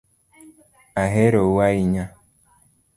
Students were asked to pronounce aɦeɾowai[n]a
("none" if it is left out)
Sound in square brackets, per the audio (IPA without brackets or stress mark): ɲ